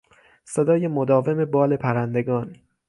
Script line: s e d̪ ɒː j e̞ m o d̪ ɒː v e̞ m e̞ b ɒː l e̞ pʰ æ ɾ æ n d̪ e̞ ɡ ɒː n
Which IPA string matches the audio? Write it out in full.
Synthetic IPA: s e d̪ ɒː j e̞ m o d̪ ɒː v e̞ m e̞ b ɒː l e̞ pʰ æ ɾ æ n d̪ e̞ ɡ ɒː n